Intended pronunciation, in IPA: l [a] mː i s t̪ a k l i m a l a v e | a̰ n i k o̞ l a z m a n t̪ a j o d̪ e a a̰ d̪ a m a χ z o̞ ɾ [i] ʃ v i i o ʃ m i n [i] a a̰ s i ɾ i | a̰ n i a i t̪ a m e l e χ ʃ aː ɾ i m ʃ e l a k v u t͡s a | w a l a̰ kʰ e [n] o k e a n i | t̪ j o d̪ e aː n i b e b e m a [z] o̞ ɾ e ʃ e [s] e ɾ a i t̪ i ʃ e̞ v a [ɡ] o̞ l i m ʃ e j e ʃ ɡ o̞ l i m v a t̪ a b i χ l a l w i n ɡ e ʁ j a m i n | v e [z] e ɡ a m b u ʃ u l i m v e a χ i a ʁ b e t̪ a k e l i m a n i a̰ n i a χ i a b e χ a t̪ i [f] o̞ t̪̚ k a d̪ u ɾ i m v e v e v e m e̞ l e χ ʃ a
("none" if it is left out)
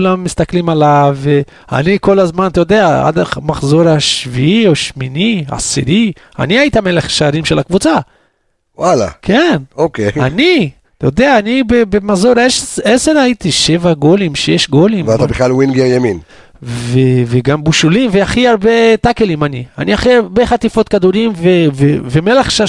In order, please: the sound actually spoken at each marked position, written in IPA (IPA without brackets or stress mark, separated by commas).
a, a, i, n, z, s, ɡ, v, f